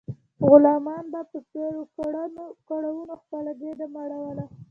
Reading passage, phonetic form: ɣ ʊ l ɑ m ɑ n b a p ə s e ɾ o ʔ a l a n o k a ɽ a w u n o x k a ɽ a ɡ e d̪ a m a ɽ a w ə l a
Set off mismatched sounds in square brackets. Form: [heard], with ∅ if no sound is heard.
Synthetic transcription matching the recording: ɣ ʊ l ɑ m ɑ n b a p ə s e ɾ o [k] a [ɽ] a n o k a ɽ a w u n o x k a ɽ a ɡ e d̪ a m a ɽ a w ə l a